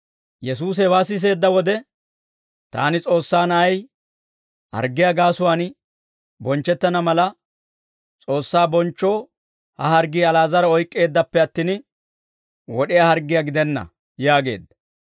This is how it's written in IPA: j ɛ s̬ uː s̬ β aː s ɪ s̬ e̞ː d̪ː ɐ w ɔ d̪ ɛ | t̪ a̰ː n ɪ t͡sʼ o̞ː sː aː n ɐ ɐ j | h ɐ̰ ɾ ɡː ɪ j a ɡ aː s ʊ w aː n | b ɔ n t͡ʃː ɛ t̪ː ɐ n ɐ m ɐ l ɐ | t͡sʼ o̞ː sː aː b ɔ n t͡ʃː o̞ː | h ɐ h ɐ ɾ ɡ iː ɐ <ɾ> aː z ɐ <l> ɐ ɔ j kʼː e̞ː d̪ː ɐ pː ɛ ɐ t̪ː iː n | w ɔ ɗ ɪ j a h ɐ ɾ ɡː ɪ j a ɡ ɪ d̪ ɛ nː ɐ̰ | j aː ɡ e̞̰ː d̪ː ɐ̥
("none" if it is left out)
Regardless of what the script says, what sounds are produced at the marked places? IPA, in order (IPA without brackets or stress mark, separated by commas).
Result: l, ɾ